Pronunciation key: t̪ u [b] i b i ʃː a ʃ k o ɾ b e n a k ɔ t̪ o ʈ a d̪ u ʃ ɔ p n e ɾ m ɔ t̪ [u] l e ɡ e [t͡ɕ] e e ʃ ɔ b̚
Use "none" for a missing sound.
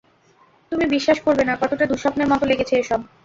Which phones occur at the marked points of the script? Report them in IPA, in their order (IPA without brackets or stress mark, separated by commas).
m, o, t͡ɕʰ